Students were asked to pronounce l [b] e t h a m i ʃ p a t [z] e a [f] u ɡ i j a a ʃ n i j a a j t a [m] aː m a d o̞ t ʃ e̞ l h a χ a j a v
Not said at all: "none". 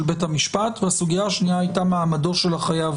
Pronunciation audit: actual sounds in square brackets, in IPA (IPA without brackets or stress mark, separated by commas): b, v, s, m